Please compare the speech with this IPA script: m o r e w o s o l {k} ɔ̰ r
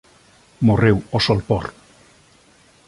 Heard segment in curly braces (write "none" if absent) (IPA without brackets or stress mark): p